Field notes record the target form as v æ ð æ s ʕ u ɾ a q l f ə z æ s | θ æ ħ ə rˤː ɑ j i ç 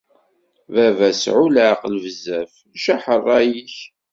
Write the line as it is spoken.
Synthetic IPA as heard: v æ v æ s ʕ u l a q l v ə z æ f | ʃ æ ħ ə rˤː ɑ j i ç